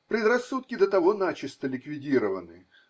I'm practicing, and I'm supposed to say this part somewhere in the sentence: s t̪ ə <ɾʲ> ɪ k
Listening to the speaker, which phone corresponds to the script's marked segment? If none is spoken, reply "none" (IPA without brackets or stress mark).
lʲ